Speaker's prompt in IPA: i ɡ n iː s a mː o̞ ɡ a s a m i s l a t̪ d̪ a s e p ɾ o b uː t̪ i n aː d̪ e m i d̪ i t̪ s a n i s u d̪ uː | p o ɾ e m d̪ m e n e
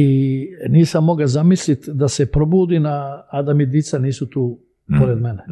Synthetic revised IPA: i n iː s a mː o̞ ɡ a z a m i s l i t̪ d̪ a s e p ɾ o b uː d̪ i n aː d̪ a m i d̪ i t̪ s a n iː s u t̪ uː | p o ɾ e d̪ m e n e